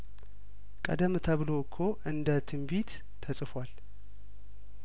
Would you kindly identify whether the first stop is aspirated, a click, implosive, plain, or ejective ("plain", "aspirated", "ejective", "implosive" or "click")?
ejective